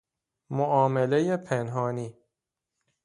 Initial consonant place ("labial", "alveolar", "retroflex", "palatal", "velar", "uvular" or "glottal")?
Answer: labial